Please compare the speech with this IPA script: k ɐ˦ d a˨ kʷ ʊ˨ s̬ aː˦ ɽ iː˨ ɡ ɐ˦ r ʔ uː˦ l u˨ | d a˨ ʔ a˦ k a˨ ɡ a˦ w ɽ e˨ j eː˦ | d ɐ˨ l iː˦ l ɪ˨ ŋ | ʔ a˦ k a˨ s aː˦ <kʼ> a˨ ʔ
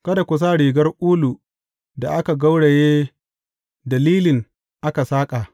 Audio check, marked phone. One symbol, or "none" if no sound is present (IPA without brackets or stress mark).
kʼ